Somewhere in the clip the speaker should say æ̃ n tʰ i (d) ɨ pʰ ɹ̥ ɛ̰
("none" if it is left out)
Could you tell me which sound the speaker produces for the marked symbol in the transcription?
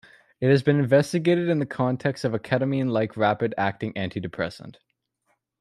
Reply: d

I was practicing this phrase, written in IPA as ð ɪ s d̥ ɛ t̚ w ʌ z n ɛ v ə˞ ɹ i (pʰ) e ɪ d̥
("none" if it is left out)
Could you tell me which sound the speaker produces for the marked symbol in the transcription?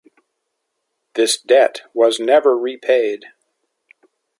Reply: pʰ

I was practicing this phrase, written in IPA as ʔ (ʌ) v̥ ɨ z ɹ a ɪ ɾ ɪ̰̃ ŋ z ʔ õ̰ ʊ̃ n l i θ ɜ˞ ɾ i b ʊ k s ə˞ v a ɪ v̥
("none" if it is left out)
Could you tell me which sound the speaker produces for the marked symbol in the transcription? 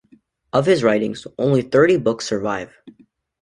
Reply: ʌ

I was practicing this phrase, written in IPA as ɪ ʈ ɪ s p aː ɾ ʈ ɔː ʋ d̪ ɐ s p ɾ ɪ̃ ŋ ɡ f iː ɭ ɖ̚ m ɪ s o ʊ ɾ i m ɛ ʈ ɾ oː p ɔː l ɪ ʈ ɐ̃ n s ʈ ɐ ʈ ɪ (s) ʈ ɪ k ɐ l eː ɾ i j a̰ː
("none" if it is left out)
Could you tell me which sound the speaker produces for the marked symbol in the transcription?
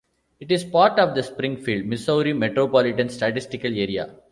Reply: s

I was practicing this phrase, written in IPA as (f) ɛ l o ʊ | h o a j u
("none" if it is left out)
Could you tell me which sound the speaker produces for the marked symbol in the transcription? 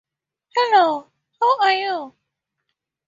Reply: h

